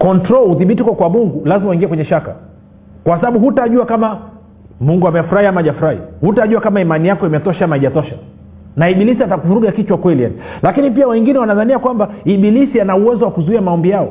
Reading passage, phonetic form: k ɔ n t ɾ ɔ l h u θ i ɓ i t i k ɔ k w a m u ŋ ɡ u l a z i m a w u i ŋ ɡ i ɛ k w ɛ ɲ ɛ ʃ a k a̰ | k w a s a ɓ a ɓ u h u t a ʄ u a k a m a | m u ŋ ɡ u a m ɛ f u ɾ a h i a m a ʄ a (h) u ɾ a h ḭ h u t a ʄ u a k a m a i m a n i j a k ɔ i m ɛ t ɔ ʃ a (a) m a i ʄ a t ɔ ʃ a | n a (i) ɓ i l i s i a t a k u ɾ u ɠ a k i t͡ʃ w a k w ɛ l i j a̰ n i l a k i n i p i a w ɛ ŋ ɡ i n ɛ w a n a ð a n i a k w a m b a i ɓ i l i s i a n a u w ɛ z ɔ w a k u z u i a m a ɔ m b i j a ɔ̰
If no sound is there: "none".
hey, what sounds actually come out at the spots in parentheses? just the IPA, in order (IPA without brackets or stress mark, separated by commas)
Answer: f, a, i